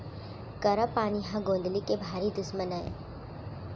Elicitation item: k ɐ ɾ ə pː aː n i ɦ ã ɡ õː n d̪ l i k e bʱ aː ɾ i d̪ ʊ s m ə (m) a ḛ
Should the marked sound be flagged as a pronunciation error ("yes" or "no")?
yes